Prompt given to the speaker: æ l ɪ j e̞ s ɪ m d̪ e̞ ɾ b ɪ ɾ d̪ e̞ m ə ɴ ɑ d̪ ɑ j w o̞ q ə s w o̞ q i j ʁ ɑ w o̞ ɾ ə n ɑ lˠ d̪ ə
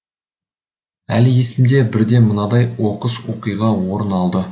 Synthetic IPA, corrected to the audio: æ l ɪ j e̞ s ɪ m d̪ e̞ b ɪ ɾ d̪ e̞ m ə n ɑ d̪ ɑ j w o̞ q ə s w o̞ q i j ʁ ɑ w o̞ ɾ ə n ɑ lˠ d̪ ə